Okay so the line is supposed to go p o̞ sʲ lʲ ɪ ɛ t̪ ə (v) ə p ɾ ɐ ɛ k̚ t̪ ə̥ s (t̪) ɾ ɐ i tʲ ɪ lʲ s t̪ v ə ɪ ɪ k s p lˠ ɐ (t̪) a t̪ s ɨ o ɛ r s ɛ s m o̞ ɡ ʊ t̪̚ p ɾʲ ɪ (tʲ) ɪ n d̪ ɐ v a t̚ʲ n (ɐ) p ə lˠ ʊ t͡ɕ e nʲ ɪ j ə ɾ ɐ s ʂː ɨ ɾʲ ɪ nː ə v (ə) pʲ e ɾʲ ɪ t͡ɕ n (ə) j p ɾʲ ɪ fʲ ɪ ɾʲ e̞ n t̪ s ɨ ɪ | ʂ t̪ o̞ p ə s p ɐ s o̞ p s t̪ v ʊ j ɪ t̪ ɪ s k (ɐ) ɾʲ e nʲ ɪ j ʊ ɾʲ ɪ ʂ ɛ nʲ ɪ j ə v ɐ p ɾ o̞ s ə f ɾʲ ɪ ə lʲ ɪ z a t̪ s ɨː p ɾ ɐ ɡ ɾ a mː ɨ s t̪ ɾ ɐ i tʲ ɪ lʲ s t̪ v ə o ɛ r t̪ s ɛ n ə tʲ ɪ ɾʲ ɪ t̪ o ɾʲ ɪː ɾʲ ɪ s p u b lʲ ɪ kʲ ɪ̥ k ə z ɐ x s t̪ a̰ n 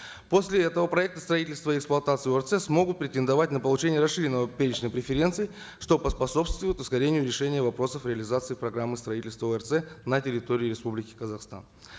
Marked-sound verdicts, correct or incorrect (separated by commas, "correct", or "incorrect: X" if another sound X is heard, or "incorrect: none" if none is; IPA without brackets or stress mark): correct, correct, correct, correct, incorrect: ə, correct, correct, correct